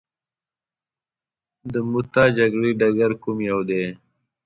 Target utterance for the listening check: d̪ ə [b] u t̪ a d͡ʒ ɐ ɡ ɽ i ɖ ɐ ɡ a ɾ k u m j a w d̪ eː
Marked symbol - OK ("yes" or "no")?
no